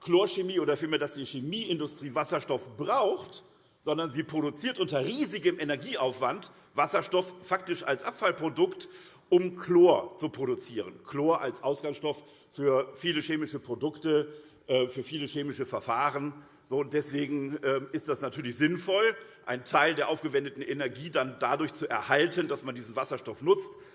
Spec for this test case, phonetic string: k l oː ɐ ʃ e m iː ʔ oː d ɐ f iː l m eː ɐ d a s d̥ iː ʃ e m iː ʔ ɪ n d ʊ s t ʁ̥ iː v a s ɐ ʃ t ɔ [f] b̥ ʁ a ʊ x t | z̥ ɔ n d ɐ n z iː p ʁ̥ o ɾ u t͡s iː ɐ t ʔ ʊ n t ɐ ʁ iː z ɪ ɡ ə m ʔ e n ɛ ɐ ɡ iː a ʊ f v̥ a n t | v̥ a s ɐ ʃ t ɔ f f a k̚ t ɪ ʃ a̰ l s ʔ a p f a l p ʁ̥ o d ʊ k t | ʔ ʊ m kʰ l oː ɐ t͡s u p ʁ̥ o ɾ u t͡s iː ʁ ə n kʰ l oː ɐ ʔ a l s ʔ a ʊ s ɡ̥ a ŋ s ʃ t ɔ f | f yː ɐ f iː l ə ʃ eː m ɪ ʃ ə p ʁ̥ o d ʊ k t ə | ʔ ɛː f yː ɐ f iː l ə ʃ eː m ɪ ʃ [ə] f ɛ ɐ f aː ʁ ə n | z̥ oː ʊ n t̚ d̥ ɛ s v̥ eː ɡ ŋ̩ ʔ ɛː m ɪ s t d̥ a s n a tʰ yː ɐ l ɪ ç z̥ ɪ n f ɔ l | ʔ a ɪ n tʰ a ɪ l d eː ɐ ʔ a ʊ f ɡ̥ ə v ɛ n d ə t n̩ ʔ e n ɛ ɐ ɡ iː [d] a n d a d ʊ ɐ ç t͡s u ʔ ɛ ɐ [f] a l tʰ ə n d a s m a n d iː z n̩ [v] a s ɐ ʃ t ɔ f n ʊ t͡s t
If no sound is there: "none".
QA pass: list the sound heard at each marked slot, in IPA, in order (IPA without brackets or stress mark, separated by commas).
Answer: f, ə, d, h, v